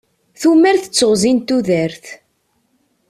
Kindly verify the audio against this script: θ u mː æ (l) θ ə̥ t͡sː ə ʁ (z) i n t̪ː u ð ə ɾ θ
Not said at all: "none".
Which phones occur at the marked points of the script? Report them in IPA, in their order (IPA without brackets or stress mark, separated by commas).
ɾ, z